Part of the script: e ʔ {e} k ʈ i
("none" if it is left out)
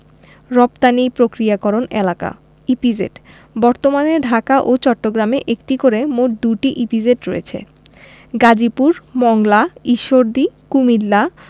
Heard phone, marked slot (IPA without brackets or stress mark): e